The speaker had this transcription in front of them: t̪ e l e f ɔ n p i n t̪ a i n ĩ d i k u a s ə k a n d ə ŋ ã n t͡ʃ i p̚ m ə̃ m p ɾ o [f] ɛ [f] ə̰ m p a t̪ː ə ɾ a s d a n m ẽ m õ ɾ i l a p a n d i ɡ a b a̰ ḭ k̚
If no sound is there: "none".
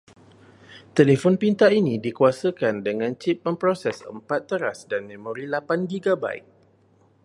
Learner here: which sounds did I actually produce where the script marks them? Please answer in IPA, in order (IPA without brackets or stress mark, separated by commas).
s, s